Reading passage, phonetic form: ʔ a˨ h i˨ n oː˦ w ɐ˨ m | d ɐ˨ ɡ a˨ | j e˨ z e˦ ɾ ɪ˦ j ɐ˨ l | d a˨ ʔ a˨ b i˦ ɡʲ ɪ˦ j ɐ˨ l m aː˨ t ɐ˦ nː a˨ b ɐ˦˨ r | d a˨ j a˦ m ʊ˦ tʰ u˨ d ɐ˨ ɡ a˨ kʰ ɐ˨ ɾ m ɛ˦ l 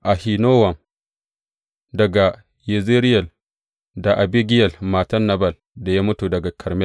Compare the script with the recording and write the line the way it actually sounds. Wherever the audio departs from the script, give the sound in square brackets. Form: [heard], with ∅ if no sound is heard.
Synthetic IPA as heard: ʔ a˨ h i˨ n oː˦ w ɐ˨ m | d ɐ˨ ɡ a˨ | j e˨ z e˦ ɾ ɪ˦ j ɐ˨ l | d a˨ ʔ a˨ b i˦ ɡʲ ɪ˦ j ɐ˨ l m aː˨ t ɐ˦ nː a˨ b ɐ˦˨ [l] | d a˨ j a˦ m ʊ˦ [t] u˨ d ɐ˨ ɡ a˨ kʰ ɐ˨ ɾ m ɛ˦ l